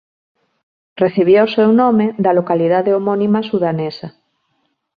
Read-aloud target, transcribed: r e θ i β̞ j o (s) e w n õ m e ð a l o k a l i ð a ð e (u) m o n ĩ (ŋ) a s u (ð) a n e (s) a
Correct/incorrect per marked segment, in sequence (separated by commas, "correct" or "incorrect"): correct, incorrect, incorrect, correct, correct